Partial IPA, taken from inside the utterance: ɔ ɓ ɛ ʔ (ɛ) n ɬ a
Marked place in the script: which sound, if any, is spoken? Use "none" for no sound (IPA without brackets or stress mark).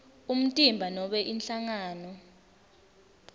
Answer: i